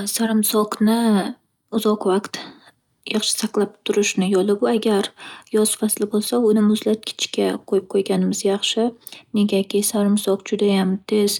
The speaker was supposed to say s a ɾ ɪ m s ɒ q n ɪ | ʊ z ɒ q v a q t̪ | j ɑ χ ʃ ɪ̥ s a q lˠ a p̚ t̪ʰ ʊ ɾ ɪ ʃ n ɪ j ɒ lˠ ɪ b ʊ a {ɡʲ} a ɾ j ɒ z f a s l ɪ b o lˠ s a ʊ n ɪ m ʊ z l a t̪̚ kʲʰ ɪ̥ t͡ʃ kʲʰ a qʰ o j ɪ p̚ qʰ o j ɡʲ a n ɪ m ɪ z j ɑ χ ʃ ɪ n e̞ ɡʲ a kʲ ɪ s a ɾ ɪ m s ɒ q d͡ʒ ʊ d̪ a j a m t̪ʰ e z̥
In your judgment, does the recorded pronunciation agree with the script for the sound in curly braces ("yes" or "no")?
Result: yes